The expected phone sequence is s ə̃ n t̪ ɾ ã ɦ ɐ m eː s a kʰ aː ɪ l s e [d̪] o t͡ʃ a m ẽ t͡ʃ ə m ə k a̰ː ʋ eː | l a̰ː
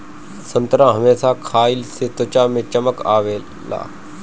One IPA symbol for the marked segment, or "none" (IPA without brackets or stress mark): t̪